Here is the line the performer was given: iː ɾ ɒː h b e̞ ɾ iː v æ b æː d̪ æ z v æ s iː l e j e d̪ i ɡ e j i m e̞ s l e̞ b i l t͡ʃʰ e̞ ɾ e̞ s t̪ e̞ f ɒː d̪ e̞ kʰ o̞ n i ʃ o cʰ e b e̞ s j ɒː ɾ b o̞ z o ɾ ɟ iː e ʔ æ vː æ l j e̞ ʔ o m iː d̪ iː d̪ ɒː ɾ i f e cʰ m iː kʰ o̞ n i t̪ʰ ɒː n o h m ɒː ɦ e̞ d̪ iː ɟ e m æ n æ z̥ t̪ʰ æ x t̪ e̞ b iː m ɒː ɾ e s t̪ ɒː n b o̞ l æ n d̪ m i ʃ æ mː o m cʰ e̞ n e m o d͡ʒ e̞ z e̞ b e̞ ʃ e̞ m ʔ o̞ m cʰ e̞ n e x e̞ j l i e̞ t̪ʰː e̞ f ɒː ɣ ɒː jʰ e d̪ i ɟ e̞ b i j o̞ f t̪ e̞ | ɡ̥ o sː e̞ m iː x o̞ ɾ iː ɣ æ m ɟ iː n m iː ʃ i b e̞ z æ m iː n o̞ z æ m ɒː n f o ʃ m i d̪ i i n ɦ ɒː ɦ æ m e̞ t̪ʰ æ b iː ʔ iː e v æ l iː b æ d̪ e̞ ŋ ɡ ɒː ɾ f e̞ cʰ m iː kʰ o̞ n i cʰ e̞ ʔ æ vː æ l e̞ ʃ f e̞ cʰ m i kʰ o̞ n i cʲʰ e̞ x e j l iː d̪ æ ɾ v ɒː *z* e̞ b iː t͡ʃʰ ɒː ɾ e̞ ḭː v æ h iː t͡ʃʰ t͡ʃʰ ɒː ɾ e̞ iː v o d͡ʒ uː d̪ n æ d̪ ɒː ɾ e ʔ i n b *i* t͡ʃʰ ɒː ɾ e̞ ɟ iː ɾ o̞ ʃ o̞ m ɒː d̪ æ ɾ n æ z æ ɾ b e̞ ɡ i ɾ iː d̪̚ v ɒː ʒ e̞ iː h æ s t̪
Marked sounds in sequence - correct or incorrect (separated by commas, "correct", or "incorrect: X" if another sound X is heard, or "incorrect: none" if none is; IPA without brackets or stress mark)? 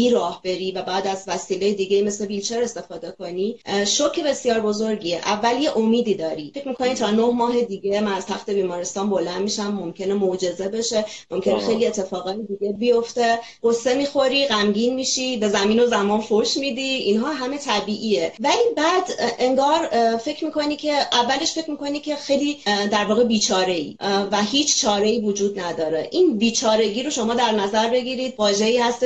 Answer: incorrect: ɣ, incorrect: iː